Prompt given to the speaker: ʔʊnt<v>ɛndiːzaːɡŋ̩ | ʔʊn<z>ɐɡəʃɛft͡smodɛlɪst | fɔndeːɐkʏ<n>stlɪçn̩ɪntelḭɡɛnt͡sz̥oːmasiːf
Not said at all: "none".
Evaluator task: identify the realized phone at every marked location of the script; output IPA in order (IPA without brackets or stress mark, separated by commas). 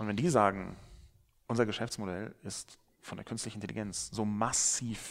v, z, n